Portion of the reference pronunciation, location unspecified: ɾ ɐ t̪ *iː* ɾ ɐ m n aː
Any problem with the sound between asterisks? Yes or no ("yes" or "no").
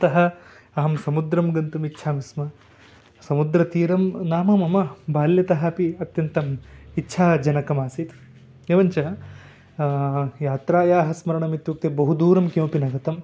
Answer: no